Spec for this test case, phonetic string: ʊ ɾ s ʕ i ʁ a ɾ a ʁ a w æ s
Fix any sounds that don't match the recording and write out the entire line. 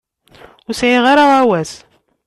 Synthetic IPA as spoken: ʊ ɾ s ʕ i ʁ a ɾ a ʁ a w æ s